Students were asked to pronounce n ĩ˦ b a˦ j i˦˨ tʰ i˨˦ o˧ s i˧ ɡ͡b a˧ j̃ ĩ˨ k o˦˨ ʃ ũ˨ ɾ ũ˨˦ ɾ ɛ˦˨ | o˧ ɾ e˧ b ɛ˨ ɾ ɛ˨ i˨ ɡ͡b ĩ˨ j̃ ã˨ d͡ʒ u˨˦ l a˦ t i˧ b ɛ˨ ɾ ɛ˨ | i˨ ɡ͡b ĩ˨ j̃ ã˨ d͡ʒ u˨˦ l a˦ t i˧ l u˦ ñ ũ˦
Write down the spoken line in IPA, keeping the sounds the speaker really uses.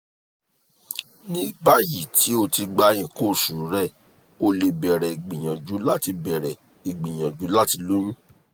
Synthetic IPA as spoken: n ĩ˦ b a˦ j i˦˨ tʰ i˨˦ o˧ t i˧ ɡ͡b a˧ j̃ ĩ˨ k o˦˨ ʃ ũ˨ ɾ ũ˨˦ ɾ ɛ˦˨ | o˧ l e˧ b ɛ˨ ɾ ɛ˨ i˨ ɡ͡b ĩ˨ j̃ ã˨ d͡ʒ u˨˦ l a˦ t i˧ b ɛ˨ ɾ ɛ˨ | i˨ ɡ͡b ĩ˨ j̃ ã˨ d͡ʒ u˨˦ l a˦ t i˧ l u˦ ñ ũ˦